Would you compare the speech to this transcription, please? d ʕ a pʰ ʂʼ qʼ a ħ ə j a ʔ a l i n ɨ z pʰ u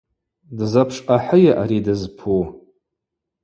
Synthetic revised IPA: d z a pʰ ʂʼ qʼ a ħ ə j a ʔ a ɾ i d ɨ z pʰ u